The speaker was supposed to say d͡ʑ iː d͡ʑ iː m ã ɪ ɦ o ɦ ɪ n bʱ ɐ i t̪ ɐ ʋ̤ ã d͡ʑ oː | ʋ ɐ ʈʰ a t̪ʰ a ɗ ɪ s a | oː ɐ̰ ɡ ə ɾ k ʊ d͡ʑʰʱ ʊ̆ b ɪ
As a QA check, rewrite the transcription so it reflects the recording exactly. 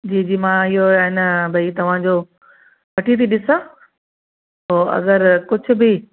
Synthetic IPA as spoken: d͡ʑ iː d͡ʑ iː m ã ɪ ɦ o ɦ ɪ n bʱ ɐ i t̪ ɐ ʋ̤ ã d͡ʑ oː | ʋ ɐ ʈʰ i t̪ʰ i ɗ ɪ s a | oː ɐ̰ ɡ ə ɾ k ʊ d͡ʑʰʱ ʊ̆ b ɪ